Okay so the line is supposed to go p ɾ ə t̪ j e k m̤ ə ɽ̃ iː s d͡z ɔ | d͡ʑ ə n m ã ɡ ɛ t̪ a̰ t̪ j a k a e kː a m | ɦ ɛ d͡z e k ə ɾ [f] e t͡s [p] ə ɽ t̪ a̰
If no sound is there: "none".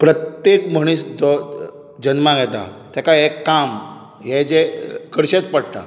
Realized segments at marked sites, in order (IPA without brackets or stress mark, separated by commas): ɕ, p